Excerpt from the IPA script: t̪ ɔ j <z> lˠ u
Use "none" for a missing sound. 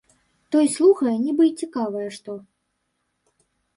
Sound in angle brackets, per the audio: s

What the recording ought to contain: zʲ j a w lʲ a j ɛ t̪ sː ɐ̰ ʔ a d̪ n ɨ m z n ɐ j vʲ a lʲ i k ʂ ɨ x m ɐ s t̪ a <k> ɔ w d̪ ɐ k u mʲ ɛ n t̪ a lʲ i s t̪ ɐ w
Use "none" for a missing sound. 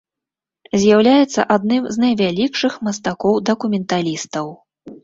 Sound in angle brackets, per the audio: k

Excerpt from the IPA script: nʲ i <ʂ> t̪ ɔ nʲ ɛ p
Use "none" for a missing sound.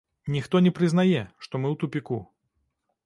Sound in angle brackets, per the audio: x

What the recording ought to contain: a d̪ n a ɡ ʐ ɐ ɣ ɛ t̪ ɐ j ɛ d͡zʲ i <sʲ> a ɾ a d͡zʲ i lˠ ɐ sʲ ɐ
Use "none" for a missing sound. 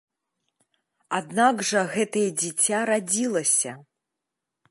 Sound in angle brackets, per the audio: t͡sʲ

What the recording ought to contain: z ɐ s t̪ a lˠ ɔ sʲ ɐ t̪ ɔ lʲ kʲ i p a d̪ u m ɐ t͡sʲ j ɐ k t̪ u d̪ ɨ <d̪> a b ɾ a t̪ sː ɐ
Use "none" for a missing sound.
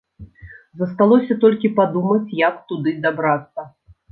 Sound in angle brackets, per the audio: d̪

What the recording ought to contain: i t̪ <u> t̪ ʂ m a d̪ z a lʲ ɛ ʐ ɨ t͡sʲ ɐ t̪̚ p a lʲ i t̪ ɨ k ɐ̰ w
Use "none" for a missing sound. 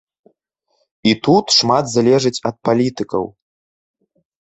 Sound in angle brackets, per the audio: u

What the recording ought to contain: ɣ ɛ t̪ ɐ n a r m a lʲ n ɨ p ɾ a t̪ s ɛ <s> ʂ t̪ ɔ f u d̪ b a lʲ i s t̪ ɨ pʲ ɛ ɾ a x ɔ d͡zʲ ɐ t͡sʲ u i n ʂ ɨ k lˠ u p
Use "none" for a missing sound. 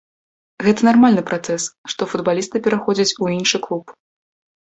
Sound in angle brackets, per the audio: s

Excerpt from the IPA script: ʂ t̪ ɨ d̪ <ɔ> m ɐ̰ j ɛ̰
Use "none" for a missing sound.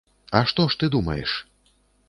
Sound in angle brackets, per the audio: u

